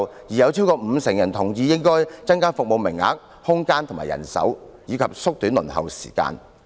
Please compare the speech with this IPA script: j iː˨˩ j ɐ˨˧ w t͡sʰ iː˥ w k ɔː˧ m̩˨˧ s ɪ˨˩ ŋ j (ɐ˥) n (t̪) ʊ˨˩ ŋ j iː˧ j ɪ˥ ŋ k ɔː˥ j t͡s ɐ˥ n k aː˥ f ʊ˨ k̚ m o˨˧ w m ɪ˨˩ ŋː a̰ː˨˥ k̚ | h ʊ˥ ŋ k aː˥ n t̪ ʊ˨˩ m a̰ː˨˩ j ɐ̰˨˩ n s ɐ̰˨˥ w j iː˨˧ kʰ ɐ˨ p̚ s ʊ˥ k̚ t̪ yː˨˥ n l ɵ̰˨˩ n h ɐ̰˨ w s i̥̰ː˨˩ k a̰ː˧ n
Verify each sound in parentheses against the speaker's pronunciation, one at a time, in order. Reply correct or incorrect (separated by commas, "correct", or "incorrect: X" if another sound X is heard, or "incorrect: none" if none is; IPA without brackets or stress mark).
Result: incorrect: ɐ˨˩, incorrect: t̪ʰ